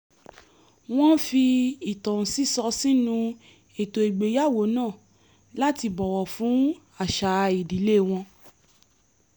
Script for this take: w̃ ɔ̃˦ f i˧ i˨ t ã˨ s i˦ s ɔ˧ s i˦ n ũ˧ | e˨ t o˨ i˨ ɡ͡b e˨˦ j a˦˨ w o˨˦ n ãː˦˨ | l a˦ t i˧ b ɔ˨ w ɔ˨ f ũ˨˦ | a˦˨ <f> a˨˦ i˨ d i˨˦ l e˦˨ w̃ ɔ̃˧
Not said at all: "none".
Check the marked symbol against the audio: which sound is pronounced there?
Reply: ʃ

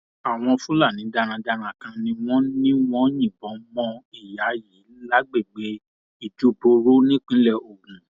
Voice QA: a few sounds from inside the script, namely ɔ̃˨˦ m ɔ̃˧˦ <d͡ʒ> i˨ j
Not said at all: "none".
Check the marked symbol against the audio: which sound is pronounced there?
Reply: none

